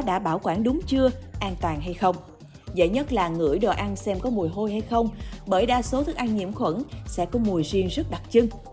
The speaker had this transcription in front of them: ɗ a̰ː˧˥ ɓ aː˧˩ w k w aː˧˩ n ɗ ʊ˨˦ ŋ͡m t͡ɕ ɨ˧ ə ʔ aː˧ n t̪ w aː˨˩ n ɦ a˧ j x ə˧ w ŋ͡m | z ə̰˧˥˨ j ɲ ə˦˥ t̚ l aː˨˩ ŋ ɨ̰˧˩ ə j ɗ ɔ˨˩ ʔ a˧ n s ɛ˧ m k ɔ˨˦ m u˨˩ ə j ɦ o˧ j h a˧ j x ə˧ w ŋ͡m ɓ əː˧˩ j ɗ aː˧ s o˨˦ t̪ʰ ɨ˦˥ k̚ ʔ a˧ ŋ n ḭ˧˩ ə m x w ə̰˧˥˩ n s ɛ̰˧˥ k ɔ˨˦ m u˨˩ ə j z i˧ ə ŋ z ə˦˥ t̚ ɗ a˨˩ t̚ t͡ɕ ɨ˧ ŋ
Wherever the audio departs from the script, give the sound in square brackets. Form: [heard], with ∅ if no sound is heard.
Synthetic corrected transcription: ɗ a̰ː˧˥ ɓ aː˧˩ w k w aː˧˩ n ɗ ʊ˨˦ ŋ͡m t͡ɕ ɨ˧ ə ʔ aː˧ n t̪ w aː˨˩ n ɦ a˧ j x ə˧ w ŋ͡m | z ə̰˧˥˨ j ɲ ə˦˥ t̚ l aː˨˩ ŋ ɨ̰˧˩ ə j ɗ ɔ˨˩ ʔ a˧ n s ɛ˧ m k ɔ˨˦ m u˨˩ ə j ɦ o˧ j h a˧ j x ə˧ w ŋ͡m ɓ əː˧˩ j ɗ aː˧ s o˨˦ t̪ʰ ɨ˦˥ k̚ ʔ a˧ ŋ [ɲ] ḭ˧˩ ə m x w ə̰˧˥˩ n s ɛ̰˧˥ k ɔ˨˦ m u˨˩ ə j z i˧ ə ŋ z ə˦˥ t̚ ɗ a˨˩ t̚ t͡ɕ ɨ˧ ŋ